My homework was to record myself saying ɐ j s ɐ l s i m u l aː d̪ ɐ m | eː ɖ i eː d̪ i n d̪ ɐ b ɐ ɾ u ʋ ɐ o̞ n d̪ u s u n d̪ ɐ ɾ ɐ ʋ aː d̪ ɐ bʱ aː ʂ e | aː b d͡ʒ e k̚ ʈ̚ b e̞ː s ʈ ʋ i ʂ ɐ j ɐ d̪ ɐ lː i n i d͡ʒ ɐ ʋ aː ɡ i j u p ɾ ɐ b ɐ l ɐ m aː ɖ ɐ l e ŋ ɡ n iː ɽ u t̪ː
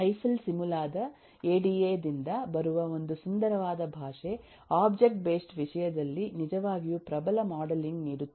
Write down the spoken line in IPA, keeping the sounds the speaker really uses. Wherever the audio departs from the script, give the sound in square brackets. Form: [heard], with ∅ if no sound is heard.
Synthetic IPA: ɐ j s ɐ l s i m u l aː d̪ ɐ [∅] | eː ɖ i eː d̪ i n d̪ ɐ b ɐ ɾ u ʋ ɐ o̞ n d̪ u s u n d̪ ɐ ɾ ɐ ʋ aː d̪ ɐ bʱ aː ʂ e | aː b d͡ʒ e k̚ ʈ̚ b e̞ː s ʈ ʋ i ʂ ɐ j ɐ d̪ ɐ lː i n i d͡ʒ ɐ ʋ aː ɡ i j u p ɾ ɐ b ɐ l ɐ m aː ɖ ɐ l [i] ŋ ɡ n iː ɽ u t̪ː